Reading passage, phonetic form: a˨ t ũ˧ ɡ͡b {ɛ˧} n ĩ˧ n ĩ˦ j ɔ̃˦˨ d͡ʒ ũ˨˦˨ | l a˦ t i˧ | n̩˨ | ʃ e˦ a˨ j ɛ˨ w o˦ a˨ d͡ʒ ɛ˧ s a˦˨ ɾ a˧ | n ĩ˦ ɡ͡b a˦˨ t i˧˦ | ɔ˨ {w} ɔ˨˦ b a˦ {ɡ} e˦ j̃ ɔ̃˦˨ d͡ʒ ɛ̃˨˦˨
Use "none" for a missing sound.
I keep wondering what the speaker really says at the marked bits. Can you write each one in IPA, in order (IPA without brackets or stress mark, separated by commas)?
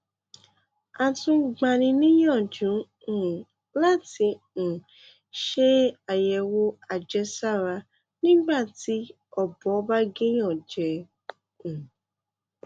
a˧, b, ɡ